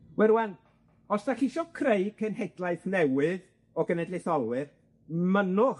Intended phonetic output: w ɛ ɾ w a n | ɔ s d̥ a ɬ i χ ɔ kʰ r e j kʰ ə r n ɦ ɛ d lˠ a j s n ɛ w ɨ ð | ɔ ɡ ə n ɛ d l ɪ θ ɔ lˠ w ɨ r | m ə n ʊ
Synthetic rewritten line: w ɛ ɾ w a n | ɔ s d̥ a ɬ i ʃ ɔ kʰ r e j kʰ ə n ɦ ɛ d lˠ a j θ n ɛ w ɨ ð | ɔ ɡ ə n ɛ d l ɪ θ ɔ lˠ w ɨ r | m ə n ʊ